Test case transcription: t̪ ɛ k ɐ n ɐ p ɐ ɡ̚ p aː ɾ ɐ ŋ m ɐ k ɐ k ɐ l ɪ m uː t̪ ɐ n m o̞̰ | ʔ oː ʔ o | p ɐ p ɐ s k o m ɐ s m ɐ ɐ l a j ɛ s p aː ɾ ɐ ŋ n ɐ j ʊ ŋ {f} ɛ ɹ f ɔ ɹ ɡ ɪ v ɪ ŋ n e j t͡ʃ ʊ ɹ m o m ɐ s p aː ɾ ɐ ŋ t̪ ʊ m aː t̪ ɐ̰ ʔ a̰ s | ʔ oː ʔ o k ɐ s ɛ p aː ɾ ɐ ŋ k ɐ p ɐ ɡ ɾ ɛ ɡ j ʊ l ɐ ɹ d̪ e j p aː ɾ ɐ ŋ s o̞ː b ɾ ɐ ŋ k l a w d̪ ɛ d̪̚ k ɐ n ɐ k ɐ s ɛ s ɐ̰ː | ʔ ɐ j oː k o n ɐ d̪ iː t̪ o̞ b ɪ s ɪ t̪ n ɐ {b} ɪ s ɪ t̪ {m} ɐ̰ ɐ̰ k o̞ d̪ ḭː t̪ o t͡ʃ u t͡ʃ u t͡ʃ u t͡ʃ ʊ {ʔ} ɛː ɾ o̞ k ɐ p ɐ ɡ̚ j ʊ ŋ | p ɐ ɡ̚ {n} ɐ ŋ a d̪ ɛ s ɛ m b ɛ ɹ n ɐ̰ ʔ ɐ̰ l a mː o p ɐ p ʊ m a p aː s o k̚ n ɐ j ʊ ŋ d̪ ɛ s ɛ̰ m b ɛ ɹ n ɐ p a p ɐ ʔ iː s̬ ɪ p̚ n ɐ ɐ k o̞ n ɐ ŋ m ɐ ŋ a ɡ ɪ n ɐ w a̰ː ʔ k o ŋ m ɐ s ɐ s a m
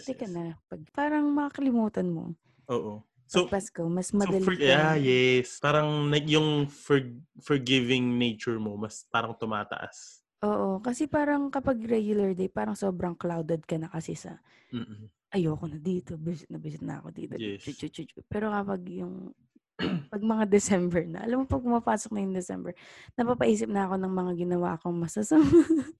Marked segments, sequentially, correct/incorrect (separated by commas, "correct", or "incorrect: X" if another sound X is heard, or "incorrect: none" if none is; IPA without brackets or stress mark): correct, correct, incorrect: n, incorrect: p, incorrect: m